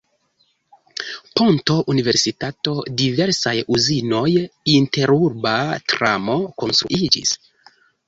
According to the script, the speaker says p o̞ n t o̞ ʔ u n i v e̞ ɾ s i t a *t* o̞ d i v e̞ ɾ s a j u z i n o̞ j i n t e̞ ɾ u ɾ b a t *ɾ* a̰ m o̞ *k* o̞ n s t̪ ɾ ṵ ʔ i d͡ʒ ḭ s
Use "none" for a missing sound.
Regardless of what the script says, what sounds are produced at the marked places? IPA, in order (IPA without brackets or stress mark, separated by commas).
t, ɾ, k